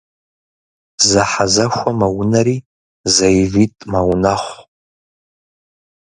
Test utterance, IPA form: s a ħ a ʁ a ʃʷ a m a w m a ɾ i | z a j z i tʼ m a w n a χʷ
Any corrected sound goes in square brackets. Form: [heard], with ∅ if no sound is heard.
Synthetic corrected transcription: [z] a ħ a [z] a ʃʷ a m a w [n] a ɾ i | z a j [v] i tʼ m a w n a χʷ